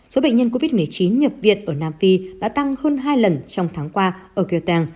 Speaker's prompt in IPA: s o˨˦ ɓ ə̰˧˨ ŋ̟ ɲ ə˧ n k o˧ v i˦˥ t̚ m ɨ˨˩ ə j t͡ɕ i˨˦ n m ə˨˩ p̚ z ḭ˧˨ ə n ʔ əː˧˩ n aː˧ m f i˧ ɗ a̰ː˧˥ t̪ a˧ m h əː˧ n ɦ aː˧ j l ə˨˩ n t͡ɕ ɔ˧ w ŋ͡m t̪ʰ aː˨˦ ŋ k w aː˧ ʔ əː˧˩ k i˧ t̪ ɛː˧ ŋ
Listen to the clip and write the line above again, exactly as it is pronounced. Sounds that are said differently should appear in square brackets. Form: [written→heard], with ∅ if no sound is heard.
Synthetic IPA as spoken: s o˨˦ ɓ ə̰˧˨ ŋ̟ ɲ ə˧ n k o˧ v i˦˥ t̚ m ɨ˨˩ ə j t͡ɕ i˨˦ n [m→ɲ] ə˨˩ p̚ [z→v] ḭ˧˨ ə n ʔ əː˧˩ n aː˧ m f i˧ ɗ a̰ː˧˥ t̪ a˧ [m→ŋ] h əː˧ n ɦ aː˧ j l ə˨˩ n t͡ɕ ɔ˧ w ŋ͡m t̪ʰ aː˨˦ ŋ k w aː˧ ʔ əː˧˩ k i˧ t̪ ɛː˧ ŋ